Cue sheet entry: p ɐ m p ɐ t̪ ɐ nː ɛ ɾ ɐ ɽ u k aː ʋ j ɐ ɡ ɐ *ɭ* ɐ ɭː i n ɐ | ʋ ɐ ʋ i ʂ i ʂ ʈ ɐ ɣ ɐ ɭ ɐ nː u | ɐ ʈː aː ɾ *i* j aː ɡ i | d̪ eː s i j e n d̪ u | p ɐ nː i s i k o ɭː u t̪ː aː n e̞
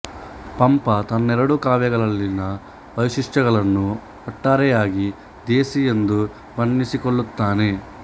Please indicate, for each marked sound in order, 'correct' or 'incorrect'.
correct, incorrect: ɛ

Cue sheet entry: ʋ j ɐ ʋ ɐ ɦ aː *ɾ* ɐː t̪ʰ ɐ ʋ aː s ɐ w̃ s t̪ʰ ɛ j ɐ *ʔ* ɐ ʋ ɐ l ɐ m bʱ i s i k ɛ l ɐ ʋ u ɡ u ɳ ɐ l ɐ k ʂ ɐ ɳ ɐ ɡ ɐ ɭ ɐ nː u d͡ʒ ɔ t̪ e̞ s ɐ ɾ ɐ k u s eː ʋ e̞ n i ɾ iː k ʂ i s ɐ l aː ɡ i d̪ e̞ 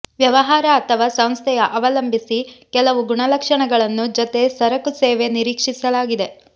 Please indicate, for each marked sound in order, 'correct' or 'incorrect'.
correct, correct

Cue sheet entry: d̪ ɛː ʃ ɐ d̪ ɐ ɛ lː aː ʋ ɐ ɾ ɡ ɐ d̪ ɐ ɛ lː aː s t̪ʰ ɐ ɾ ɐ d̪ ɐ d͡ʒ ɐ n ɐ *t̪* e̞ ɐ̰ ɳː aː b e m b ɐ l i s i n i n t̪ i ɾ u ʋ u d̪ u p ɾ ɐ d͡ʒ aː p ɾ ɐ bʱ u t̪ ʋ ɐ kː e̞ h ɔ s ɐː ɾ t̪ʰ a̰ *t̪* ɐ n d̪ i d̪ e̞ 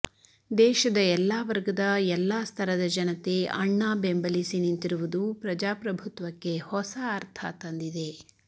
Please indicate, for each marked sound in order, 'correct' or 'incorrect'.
correct, correct

